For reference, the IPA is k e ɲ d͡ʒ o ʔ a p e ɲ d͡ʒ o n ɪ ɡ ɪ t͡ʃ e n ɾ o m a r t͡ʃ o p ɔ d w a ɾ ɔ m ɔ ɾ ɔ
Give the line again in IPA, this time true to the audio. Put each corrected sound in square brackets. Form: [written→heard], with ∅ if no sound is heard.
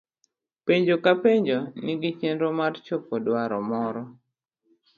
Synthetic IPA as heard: [k→p] e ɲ d͡ʒ o [ʔ→k] a p e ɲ d͡ʒ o n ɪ ɡ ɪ t͡ʃ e n ɾ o m a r t͡ʃ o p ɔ d w a ɾ ɔ m ɔ ɾ ɔ